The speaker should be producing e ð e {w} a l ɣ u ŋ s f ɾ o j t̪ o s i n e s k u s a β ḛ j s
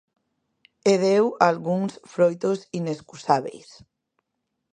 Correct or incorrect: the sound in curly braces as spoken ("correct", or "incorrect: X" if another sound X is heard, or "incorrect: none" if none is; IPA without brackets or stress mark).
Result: correct